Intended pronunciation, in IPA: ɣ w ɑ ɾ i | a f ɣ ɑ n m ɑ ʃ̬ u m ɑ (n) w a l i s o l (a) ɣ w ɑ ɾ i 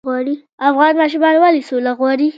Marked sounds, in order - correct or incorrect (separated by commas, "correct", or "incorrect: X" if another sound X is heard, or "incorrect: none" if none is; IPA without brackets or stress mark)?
correct, correct